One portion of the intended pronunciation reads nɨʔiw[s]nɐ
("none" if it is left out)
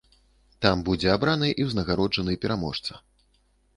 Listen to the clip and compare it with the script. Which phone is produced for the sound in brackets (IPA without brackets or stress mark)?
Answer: z